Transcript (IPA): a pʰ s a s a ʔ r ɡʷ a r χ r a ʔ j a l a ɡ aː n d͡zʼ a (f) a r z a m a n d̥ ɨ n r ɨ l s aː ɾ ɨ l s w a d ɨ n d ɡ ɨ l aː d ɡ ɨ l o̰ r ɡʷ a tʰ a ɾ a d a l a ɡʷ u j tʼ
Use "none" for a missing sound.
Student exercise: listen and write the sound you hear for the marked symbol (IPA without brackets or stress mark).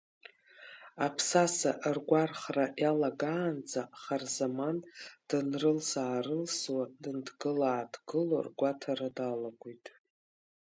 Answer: χ